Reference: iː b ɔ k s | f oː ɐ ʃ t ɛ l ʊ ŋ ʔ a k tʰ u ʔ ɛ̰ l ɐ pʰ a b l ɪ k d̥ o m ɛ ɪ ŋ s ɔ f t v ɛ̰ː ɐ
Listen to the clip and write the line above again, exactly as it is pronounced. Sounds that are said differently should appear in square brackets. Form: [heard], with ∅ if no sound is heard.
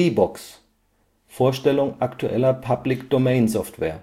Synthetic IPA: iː b ɔ k s | f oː ɐ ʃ t ɛ l ʊ ŋ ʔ a k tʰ u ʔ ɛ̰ l ɐ pʰ a b l ɪ k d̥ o m ɛ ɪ [n] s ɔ f t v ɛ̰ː ɐ